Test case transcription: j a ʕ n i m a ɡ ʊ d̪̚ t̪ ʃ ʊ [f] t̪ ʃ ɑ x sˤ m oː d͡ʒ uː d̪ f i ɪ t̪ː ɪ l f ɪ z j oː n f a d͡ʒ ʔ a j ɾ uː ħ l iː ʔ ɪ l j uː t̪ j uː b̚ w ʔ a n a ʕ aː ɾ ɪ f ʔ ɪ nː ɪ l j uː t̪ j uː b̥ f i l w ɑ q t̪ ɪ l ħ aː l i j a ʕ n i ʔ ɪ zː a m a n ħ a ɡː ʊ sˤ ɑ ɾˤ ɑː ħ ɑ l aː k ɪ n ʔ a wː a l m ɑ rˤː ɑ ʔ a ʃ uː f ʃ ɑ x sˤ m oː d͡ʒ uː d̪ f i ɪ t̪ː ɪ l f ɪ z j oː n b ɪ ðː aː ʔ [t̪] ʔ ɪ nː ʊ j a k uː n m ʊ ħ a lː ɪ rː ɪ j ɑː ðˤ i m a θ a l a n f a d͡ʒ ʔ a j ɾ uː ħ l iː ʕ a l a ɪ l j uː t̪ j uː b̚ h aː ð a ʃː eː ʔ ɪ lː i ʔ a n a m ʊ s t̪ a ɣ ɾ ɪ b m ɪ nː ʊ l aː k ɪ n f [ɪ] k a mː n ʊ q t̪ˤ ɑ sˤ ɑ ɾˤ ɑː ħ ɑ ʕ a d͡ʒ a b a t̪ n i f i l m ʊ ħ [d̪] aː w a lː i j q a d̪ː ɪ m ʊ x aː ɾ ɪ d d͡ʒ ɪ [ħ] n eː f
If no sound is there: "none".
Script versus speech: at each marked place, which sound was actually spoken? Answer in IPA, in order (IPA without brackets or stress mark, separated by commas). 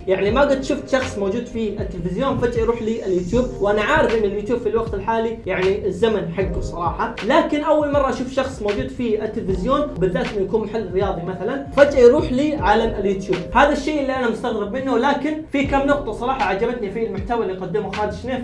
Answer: f, t̪, i, t̪, ʃ